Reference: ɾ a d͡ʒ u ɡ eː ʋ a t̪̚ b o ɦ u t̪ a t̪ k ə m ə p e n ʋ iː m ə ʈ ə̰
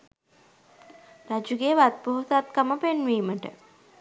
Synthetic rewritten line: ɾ a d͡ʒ u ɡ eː ʋ a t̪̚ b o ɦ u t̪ a t̪ k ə m ə p e n ʋ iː m ə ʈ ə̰